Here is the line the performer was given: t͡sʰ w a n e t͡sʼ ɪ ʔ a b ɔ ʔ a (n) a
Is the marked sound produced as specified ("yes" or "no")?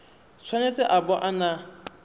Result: yes